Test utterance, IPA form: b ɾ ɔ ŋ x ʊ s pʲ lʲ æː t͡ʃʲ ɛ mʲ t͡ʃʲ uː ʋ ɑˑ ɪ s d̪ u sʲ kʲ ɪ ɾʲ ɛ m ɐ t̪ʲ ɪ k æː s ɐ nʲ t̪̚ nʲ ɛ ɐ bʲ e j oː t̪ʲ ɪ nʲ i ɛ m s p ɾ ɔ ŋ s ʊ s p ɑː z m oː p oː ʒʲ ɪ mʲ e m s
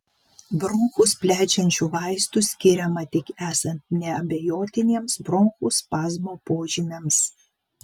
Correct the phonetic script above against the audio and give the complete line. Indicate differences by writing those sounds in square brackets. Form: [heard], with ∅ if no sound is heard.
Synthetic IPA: b ɾ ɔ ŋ x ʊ s pʲ lʲ æː t͡ʃʲ ɛ [nʲ] t͡ʃʲ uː ʋ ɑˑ ɪ s [t̪] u sʲ kʲ ɪ ɾʲ ɛ m ɐ t̪ʲ ɪ k æː s ɐ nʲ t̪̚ nʲ ɛ ɐ bʲ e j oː t̪ʲ ɪ nʲ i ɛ m s [b] ɾ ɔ ŋ [x] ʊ s p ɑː z m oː p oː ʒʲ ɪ mʲ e m s

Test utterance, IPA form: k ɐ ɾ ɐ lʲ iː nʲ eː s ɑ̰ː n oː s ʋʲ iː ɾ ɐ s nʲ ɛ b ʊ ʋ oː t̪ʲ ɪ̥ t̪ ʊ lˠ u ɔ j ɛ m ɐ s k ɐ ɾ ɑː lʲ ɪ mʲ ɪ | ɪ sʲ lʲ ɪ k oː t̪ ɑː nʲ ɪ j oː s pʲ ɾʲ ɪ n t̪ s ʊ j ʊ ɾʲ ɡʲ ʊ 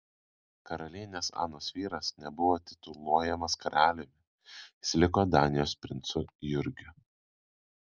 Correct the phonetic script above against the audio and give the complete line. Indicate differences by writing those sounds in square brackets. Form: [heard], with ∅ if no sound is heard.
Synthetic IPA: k ɐ ɾ ɐ lʲ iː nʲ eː s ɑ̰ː n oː s ʋʲ iː ɾ ɐ s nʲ ɛ b ʊ ʋ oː t̪ʲ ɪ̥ t̪ ʊ lˠ u ɔ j ɛ m ɐ s k ɐ ɾ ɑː lʲ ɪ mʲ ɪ | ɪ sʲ lʲ ɪ k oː [d̪] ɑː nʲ ɪ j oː s pʲ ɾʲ ɪ n t̪ s ʊ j ʊ ɾʲ ɡʲ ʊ

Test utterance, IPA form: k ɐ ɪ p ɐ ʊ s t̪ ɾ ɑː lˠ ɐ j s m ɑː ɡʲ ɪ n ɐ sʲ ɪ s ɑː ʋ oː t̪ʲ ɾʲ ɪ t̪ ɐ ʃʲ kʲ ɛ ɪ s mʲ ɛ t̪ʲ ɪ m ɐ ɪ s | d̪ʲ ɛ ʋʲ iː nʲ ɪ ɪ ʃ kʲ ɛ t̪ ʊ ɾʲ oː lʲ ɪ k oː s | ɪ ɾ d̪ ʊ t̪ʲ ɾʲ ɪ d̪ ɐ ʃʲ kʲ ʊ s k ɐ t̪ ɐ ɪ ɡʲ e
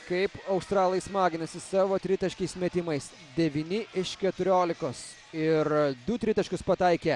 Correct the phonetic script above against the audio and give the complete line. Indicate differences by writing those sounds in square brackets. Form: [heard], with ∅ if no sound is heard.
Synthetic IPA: k ɐ ɪ p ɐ ʊ s t̪ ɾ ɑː lˠ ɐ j s m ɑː ɡʲ ɪ n ɐ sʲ ɪ s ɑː ʋ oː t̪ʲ ɾʲ ɪ t̪ ɐ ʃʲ kʲ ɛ ɪ s mʲ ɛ t̪ʲ ɪ m ɐ ɪ s | d̪ʲ ɛ ʋʲ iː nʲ ɪ ɪ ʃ kʲ ɛ t̪ ʊ ɾʲ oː lʲ ɪ k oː s | ɪ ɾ d̪ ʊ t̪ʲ ɾʲ ɪ [t̪] ɐ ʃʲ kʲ ʊ s [p] ɐ t̪ ɐ ɪ [kʲ] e

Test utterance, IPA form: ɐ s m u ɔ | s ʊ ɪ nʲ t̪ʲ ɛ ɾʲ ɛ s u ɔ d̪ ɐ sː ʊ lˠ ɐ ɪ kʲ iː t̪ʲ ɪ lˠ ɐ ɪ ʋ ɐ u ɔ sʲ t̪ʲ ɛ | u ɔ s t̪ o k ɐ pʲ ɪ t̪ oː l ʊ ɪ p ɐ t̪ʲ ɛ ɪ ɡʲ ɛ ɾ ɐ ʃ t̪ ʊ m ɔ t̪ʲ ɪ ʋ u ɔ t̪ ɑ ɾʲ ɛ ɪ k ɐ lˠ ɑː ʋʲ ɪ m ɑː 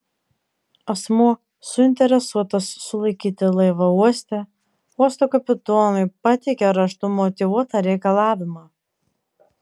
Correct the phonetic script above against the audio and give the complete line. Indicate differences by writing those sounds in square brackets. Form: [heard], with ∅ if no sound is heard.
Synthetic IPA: ɐ s m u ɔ | s ʊ ɪ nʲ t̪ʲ ɛ ɾʲ ɛ s u ɔ [t̪] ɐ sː ʊ lˠ ɐ ɪ kʲ iː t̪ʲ ɪ lˠ ɐ ɪ ʋ ɐ u ɔ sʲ t̪ʲ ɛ | u ɔ s t̪ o k ɐ pʲ ɪ t̪ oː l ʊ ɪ p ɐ t̪ʲ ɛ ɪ [kʲ] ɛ ɾ ɐ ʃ t̪ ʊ m ɔ t̪ʲ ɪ ʋ u ɔ t̪ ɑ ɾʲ ɛ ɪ k ɐ lˠ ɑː ʋʲ ɪ m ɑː

